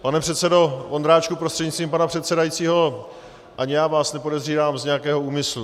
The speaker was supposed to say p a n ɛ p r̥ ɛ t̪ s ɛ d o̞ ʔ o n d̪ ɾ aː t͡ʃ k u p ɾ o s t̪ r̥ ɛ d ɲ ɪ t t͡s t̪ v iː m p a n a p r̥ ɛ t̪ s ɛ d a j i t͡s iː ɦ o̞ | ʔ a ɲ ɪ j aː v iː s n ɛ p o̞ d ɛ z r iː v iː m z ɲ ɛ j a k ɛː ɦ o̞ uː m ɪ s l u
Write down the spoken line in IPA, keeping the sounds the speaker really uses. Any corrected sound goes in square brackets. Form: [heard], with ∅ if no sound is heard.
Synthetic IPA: p a n ɛ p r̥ ɛ t̪ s ɛ d o̞ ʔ o n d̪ ɾ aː t͡ʃ k u p ɾ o s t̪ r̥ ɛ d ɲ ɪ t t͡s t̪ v iː m p a n a p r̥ ɛ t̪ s ɛ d a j i t͡s iː ɦ o̞ | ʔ a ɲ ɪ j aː v [aː] s n ɛ p o̞ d ɛ z r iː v [aː] m z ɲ ɛ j a k ɛː ɦ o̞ uː m ɪ s l u